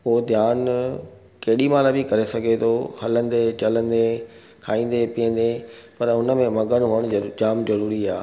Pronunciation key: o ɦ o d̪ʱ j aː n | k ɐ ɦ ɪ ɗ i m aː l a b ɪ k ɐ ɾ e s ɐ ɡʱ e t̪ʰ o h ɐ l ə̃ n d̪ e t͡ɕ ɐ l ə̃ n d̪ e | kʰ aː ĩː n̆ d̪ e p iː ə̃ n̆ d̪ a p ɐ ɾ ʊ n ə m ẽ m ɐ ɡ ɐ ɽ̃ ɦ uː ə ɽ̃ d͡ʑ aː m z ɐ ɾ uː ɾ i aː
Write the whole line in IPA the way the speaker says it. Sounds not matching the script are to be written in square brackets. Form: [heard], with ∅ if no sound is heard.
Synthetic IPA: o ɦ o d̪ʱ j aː n | k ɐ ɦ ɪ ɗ i m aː l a b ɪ k ɐ ɾ e s ɐ ɡʱ e t̪ʰ o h ɐ l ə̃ n d̪ e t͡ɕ ɐ l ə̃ n d̪ e | kʰ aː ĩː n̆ d̪ e p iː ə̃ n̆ d̪ [e] p ɐ ɾ ʊ n ə m ẽ m ɐ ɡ [ə] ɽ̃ ɦ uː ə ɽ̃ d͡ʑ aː m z ɐ ɾ uː ɾ i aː

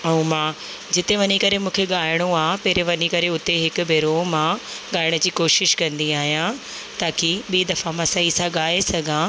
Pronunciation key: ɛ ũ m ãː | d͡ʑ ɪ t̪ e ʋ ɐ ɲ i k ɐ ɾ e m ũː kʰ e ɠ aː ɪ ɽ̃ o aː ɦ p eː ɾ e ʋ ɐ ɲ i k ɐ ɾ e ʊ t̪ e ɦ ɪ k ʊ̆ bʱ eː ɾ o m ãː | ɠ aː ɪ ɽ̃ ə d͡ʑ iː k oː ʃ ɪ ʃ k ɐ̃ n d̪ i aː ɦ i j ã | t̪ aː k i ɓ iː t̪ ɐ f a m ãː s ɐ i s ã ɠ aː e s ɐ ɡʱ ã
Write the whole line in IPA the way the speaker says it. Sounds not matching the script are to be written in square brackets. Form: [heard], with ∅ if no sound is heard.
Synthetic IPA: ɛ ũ m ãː | d͡ʑ ɪ t̪ e ʋ ɐ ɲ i k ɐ ɾ e m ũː kʰ e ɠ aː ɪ ɽ̃ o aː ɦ p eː ɾ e ʋ ɐ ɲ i k ɐ ɾ e ʊ t̪ e ɦ ɪ k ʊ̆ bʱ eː ɾ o m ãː | ɠ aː ɪ ɽ̃ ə d͡ʑ iː k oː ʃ ɪ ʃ k ɐ̃ n d̪ i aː ɦ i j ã | t̪ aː k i ɓ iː [d̪] ɐ f a m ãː s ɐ i s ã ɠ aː e s ɐ ɡʱ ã

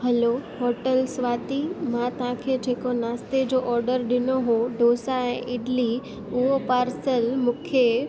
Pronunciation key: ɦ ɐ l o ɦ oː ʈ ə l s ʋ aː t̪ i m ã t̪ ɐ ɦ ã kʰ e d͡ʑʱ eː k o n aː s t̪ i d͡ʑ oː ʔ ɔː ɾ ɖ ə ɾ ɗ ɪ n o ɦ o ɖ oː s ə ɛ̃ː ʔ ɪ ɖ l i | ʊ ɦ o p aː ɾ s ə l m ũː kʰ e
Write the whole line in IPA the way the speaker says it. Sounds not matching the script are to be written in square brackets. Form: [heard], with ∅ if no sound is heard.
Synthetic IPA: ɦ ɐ l o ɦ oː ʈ ə l s ʋ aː t̪ i m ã t̪ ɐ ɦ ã kʰ e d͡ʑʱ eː k o n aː s t̪ [e] d͡ʑ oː ʔ ɔː ɾ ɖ ə ɾ ɗ ɪ n o ɦ o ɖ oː s [a] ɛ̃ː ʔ ɪ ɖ l i | ʊ ɦ o p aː ɾ s ə l m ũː kʰ e

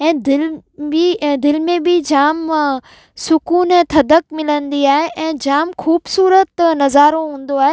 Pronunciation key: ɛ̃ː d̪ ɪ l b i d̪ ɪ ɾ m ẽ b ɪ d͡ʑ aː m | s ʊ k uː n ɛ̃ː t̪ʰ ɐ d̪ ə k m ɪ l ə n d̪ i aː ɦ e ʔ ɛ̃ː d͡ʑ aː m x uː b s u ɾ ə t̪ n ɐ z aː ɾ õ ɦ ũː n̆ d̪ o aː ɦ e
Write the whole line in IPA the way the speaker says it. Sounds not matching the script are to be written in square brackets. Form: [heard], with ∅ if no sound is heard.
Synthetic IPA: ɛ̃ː d̪ ɪ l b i d̪ ɪ [l] m ẽ b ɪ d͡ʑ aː m | s ʊ k uː n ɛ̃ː t̪ʰ ɐ d̪ ə k m ɪ l ə n d̪ i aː ɦ e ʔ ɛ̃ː d͡ʑ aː m x uː b s [uː] ɾ ə t̪ n ɐ z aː ɾ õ ɦ ũː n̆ d̪ o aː ɦ e

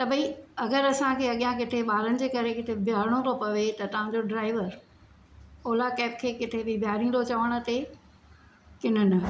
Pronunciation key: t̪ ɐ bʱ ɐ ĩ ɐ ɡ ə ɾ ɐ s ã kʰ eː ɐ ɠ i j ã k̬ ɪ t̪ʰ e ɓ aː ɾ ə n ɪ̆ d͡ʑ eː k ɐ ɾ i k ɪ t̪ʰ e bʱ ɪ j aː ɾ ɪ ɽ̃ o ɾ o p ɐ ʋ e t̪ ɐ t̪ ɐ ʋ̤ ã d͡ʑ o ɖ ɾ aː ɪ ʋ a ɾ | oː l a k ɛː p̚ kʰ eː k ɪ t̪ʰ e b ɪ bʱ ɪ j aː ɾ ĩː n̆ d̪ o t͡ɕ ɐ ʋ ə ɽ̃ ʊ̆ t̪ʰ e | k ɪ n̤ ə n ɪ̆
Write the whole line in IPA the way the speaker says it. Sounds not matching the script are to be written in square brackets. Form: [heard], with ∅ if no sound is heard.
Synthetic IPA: t̪ ɐ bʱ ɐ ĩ ɐ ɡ ə ɾ ɐ s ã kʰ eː ɐ ɠ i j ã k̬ ɪ t̪ʰ e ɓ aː ɾ ə n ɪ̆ d͡ʑ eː k ɐ ɾ [e] k ɪ t̪ʰ e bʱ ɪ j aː ɾ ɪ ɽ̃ o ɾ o p ɐ ʋ e t̪ ɐ t̪ ɐ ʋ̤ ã d͡ʑ o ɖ ɾ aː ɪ ʋ [ə] ɾ | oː l a k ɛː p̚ kʰ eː k ɪ t̪ʰ e b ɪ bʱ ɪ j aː ɾ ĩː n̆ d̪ o t͡ɕ ɐ ʋ ə ɽ̃ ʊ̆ [t̪] e | k ɪ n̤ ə n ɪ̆

